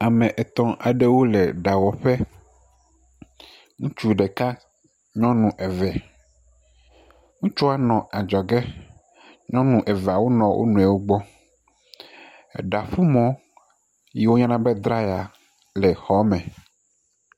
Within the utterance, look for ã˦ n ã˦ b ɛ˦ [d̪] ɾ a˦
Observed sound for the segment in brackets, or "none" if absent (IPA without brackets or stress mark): d̪